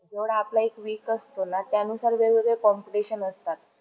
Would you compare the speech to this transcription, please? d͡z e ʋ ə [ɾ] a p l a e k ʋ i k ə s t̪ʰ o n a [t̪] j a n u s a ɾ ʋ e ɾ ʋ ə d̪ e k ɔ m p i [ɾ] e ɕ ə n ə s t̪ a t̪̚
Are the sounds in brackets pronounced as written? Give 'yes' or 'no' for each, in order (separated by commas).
no, yes, no